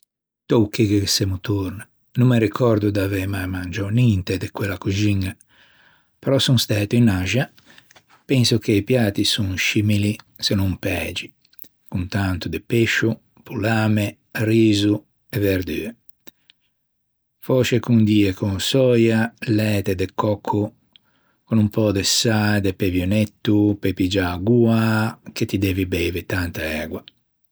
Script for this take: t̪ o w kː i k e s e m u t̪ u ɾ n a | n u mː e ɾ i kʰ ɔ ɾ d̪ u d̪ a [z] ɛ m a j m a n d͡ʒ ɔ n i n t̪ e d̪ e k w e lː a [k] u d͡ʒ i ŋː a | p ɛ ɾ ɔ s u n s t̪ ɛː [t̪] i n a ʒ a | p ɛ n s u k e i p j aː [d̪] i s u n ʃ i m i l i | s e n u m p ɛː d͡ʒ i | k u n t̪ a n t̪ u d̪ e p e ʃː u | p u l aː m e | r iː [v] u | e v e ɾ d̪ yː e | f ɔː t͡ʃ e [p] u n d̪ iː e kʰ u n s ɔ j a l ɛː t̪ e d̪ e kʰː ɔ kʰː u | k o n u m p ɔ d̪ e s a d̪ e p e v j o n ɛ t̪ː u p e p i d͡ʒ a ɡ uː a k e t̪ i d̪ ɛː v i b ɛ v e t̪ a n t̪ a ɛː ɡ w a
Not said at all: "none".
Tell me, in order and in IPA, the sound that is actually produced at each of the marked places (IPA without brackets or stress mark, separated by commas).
v, k, t̪, t̪, z, k